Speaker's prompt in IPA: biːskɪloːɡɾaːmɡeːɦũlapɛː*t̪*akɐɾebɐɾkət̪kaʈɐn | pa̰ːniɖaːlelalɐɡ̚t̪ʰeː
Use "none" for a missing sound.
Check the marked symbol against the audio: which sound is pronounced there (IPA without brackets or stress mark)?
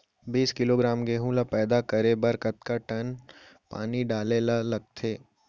d̪